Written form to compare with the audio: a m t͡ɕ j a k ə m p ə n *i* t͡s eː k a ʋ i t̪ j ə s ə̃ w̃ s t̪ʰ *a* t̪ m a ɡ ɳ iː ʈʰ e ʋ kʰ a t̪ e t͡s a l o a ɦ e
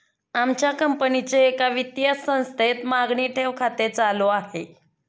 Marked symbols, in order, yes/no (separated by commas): yes, no